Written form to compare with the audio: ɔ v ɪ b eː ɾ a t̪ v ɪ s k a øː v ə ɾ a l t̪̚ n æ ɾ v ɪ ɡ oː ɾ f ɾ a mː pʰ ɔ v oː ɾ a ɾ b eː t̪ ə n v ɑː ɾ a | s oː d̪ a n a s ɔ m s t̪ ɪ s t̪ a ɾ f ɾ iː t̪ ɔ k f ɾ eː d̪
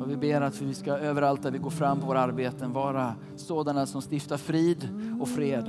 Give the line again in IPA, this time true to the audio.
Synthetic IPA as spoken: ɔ v ɪ b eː ɾ a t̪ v ɪ s k a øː v ə ɾ a l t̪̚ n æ ɾ v ɪ ɡ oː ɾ f ɾ a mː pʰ ɔ v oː ɾ a ɾ b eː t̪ ə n v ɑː ɾ a | s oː d̪ a n a s ɔ m s t̪ ɪ f t̪ a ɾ f ɾ iː d̪ ɔ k f ɾ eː d̪